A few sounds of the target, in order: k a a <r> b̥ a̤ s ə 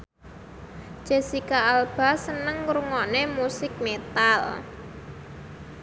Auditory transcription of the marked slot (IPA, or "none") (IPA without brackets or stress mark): l